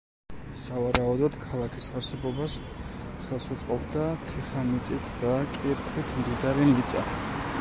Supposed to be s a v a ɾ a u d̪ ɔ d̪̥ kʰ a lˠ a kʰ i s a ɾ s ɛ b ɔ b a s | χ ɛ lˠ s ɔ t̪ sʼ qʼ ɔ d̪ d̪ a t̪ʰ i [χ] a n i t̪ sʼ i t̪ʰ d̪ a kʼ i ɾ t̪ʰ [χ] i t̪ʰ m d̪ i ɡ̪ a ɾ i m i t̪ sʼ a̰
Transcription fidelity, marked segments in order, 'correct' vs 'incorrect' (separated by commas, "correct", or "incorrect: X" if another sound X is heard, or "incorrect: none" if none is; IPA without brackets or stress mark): correct, correct